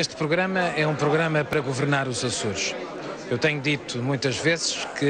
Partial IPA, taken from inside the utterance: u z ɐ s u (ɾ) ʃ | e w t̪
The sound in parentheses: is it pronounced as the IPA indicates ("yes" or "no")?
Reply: yes